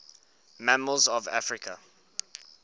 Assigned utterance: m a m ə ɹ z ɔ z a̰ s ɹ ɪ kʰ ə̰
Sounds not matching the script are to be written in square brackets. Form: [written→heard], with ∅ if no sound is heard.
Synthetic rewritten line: m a m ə [ɹ→l] z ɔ [z→v] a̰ [s→f] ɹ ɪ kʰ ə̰

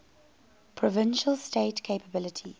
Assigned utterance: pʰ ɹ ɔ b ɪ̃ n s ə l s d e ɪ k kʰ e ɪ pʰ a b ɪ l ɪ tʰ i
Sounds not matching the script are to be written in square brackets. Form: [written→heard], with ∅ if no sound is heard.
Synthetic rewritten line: pʰ ɹ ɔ [b→v] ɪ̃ n [s→ʃ] ə l s [d→t] e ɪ [k→t] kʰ e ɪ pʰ [a→ə] b ɪ l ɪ tʰ i

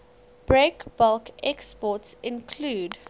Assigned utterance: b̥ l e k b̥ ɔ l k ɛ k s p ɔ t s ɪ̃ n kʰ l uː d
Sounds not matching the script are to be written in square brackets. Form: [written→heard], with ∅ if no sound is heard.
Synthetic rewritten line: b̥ [l→ɹ] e k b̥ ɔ l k ɛ k s p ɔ t s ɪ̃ n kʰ l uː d

